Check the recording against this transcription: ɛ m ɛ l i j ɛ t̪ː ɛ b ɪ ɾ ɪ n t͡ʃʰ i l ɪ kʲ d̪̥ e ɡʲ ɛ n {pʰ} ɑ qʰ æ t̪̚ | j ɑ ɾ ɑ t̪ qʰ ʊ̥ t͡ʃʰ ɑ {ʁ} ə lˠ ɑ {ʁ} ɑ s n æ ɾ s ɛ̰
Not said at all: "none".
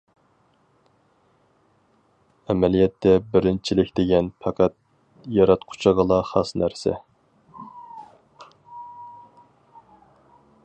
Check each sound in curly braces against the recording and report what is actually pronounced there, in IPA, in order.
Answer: pʰ, ʁ, χ

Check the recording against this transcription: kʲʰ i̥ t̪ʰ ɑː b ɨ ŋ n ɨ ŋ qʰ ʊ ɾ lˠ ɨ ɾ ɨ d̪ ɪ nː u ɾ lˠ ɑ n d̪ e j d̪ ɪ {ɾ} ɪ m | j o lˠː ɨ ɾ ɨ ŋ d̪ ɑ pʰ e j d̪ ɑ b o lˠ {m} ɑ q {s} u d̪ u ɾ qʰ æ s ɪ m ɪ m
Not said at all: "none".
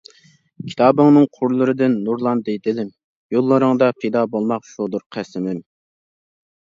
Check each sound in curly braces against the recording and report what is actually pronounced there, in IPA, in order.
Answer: l, m, ʃ

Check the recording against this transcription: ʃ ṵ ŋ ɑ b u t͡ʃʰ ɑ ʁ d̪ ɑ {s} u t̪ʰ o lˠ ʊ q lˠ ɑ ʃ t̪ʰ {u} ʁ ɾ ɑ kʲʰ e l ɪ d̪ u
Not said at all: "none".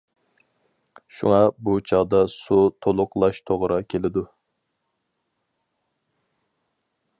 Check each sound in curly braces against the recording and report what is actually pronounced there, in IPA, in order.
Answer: s, o

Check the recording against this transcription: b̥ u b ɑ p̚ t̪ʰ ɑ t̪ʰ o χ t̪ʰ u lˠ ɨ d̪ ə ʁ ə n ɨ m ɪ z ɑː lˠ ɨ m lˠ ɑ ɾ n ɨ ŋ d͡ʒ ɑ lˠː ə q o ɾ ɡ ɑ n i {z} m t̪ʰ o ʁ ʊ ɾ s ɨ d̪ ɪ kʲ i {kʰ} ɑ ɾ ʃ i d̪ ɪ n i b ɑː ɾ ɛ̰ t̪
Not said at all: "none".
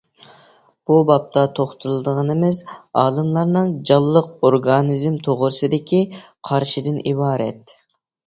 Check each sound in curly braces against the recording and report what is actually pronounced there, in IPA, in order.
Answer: z, qʰ

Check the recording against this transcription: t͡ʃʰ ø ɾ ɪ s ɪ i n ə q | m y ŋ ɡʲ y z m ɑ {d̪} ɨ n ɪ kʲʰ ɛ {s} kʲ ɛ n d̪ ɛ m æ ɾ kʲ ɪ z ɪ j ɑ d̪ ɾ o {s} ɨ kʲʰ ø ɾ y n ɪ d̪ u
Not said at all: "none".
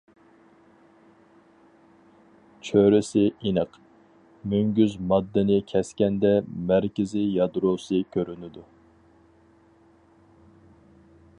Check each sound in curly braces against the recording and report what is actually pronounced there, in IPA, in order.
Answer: d̪ː, s, s

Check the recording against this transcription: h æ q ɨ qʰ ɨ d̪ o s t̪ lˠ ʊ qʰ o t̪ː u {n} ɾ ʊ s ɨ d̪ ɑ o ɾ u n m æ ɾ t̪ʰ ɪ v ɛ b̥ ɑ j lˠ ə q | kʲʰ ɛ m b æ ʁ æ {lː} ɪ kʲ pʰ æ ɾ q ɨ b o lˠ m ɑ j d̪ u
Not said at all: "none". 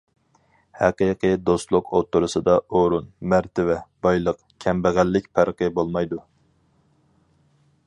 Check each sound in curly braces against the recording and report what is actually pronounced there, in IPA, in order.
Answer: none, lː

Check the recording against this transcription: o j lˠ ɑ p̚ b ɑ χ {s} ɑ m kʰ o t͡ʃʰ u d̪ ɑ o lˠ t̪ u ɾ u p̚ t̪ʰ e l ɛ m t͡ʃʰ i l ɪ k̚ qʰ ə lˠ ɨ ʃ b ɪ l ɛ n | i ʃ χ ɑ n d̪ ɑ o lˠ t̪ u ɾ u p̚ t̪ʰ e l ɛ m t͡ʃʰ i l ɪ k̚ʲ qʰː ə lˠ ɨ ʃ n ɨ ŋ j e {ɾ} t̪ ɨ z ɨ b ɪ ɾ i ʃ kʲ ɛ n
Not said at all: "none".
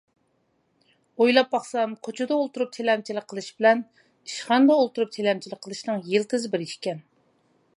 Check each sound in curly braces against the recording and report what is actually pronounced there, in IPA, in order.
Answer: s, l

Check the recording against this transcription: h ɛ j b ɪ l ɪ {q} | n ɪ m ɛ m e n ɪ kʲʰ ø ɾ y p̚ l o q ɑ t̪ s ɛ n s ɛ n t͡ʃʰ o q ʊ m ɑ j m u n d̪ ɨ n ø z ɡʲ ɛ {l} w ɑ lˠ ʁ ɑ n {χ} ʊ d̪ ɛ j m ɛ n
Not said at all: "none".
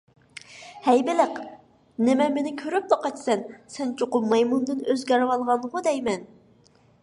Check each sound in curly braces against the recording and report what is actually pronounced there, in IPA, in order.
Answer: q, ɾ, ʁ

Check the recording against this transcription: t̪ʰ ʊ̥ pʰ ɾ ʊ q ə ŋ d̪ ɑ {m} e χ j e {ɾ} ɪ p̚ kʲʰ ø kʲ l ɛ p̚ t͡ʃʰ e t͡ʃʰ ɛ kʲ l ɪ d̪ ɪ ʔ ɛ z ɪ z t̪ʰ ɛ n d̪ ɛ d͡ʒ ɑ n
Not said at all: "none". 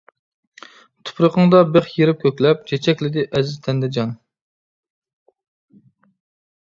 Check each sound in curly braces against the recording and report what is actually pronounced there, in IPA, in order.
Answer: b, ɾ

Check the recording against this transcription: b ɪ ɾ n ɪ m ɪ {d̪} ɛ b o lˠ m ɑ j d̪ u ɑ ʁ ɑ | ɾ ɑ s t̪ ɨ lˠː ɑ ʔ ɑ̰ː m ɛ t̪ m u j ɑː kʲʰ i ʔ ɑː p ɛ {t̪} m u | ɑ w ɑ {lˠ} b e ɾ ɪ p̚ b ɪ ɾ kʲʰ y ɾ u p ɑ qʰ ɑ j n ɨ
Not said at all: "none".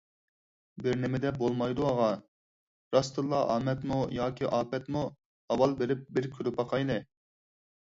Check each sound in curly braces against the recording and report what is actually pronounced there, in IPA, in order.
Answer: d̪, t̪, lˠ

